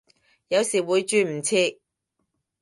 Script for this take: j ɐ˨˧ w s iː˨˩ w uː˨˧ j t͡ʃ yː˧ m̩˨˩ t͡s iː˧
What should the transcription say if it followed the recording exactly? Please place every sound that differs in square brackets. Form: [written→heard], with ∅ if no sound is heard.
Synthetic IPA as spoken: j ɐ˨˧ w s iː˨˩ w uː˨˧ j t͡ʃ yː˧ m̩˨˩ [t͡s→t͡sʰ] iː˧